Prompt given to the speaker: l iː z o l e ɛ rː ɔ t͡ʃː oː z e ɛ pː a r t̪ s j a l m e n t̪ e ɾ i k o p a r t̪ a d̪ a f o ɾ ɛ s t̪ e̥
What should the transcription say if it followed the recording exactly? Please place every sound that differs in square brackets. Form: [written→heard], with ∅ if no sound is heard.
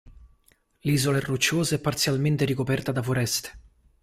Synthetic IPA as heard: l iː z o l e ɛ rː [ɔ→u] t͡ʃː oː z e ɛ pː a r t̪ s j a l m e n t̪ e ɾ i k o p [a→ɛ] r t̪ a d̪ a f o ɾ ɛ s t̪ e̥